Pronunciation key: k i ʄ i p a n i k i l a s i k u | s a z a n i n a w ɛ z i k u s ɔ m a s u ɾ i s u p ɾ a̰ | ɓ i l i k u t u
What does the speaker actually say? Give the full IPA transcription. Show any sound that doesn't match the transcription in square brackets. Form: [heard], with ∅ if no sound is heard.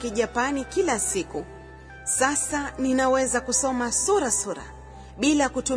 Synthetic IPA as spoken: k i ʄ [a] p a n i k i l a s i k u | s a [s] a n i n a w ɛ z [a] k u s ɔ m a s u ɾ [a] s u [∅] ɾ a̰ | ɓ i l [a] k u t u